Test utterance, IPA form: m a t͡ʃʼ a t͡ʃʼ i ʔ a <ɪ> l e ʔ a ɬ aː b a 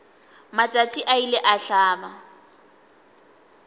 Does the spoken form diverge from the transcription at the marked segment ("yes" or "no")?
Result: yes